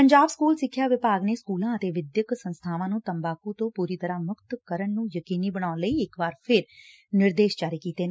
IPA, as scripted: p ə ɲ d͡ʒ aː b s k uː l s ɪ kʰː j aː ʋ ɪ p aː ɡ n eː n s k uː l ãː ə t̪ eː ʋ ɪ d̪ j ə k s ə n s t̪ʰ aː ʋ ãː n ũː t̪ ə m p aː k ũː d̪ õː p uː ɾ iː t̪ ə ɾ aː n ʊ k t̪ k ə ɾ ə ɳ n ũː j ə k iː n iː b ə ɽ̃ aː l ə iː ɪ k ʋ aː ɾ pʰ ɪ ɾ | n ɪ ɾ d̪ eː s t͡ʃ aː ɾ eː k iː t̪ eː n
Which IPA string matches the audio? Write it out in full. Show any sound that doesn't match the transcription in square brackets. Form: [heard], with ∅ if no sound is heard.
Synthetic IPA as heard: p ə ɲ d͡ʒ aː b s k uː l s ɪ kʰː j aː ʋ ɪ p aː ɡ n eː [∅] s k uː l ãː ə t̪ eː ʋ ɪ d̪ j ə k s ə n s t̪ʰ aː ʋ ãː n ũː t̪ ə m [b] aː k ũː [t̪] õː p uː ɾ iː t̪ ə ɾ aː [m] ʊ k t̪ k ə ɾ ə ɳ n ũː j ə k iː n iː b ə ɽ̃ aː l ə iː ɪ k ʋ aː ɾ pʰ ɪ ɾ | n ɪ ɾ d̪ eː [ʃ] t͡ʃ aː ɾ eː k iː t̪ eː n